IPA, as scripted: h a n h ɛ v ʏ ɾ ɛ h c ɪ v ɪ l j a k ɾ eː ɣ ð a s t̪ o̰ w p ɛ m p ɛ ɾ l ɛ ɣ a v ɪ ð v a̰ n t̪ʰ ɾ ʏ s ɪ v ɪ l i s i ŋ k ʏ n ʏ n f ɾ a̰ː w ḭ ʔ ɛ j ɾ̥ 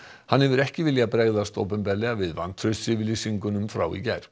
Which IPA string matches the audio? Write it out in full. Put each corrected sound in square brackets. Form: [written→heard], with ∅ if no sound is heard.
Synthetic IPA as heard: h a n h ɛ v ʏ ɾ ɛ h c ɪ v ɪ l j a [k→p] ɾ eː ɣ ð a s t̪ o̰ w p ɛ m p ɛ ɾ l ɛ ɣ a v ɪ ð v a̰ n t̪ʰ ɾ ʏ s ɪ v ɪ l i s i ŋ k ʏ n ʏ [n→m] f ɾ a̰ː w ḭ [ʔ→c] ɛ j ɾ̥